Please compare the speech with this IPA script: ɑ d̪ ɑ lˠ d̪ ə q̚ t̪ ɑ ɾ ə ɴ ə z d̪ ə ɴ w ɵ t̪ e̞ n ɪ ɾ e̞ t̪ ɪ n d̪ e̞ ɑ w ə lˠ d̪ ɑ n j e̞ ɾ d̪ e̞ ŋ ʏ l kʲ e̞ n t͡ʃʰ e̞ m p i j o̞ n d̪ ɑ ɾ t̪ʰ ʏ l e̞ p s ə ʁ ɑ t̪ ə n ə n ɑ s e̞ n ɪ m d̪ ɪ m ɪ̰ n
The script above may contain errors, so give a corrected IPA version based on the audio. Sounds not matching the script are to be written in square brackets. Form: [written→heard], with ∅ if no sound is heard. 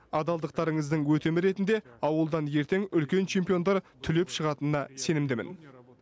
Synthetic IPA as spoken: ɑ d̪ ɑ lˠ d̪ ə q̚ t̪ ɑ ɾ ə ɴ ə z d̪ ə ɴ w ɵ t̪ e̞ [n→m] ɪ ɾ e̞ t̪ ɪ n d̪ e̞ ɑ w ə lˠ d̪ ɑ n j e̞ ɾ [d̪→t̪] e̞ ŋ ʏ l kʲ e̞ n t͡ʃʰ e̞ m p i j o̞ n d̪ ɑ ɾ t̪ʰ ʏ l e̞ p [s→ʃ] ə ʁ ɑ t̪ ə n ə n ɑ s e̞ n ɪ m d̪ ɪ m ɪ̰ n